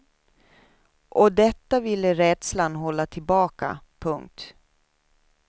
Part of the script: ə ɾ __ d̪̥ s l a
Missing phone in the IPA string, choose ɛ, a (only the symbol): ɛ